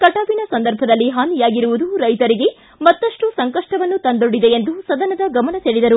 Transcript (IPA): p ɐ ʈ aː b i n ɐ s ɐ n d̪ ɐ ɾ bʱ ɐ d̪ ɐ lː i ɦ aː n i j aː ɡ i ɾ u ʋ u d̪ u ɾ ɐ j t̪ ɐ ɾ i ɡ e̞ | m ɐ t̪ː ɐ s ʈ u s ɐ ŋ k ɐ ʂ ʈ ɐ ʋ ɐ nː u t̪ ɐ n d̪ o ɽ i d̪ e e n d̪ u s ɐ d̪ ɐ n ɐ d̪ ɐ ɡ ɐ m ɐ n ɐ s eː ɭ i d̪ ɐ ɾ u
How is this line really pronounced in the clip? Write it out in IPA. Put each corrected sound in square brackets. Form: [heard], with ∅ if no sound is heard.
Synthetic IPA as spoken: [k] ɐ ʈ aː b i n ɐ s ɐ n d̪ ɐ ɾ bʱ ɐ d̪ ɐ lː i ɦ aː n i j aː ɡ i ɾ u ʋ u d̪ u ɾ ɐ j t̪ ɐ ɾ i ɡ e̞ | m ɐ t̪ː ɐ [ʂ] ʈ u s ɐ ŋ k ɐ ʂ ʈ ɐ ʋ ɐ nː u t̪ ɐ n d̪ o ɽ i d̪ e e n d̪ u s ɐ d̪ ɐ n ɐ d̪ ɐ ɡ ɐ m ɐ n ɐ s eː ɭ i d̪ ɐ ɾ u